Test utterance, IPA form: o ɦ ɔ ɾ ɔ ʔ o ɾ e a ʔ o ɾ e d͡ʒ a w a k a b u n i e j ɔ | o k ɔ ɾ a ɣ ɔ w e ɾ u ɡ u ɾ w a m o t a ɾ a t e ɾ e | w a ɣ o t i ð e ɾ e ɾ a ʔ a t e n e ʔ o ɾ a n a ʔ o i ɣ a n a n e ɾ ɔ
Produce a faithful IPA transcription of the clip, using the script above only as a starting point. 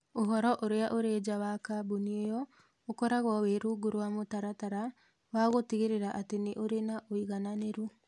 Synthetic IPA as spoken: o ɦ ɔ ɾ ɔ ʔ o ɾ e a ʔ o ɾ e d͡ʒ a w a k a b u n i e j ɔ | o k ɔ ɾ a ɣ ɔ w e ɾ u ɡ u ɾ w a m o t a ɾ a t a ɾ a | w a ɣ o t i ɣ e ɾ e ɾ a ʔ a t e n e ʔ o ɾ e n a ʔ o i ɣ a n a n e ɾ u